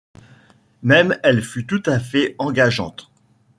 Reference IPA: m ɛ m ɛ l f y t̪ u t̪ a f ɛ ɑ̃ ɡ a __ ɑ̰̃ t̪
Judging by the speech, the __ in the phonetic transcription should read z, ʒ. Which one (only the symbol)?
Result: ʒ